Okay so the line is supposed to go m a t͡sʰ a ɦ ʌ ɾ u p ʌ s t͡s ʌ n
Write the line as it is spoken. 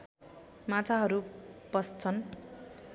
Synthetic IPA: m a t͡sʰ a ɦ ʌ ɾ u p ʌ s t͡sʰ ʌ n